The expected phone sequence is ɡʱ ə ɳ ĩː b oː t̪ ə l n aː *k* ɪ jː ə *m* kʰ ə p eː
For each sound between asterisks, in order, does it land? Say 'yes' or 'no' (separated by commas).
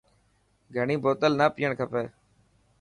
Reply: no, no